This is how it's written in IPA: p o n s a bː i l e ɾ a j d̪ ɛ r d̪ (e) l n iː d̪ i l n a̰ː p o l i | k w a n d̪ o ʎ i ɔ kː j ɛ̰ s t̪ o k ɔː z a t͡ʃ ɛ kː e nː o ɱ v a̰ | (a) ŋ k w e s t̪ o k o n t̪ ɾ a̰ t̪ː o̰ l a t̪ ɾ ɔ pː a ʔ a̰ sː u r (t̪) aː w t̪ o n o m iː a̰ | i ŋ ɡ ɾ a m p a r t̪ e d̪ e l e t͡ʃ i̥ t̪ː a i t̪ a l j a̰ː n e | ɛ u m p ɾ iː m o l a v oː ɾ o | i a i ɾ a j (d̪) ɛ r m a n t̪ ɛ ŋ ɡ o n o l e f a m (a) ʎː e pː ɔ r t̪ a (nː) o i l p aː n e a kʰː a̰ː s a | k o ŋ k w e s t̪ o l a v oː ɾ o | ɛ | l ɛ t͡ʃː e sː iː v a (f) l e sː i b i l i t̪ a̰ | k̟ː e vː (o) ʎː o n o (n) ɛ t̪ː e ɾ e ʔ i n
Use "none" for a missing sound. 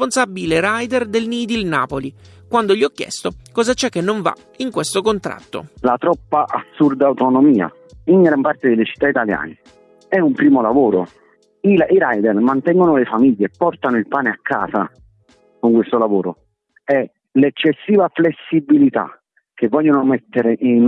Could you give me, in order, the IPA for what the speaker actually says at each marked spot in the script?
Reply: e, i, d̪, d̪, i, n, f, ɔ, m

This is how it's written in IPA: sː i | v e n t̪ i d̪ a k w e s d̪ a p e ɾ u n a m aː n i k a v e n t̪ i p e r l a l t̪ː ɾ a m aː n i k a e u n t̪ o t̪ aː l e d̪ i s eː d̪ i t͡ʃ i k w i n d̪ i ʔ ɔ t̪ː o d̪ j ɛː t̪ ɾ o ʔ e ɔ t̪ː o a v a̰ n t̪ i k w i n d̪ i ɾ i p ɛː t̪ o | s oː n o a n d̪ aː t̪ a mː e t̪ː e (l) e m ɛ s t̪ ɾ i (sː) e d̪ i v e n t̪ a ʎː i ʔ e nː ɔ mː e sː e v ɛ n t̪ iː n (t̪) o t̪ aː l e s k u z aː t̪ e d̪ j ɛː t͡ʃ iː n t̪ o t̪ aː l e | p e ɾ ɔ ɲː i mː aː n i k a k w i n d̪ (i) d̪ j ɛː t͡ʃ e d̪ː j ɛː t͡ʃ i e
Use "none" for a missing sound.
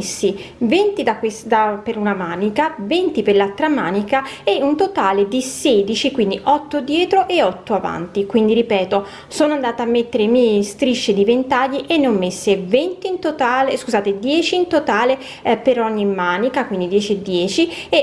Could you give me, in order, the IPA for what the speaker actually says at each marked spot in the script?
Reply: ɾ, ʃː, t̪, i

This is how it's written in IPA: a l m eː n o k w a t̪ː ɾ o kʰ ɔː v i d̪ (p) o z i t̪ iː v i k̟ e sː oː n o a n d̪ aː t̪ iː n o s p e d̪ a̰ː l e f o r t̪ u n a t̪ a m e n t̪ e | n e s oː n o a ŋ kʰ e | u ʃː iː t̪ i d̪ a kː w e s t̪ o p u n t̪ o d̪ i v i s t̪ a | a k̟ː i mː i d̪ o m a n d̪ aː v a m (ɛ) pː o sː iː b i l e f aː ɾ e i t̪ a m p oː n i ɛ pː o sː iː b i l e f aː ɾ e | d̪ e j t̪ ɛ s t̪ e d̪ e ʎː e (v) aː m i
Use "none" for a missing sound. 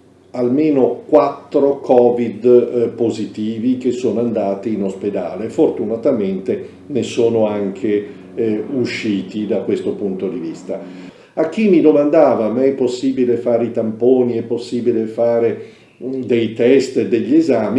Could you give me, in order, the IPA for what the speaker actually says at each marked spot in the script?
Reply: p, ɛ, z

